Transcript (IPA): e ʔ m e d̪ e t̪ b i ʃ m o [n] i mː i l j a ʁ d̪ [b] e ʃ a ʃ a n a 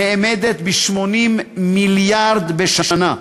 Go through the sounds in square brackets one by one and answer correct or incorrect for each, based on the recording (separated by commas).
correct, correct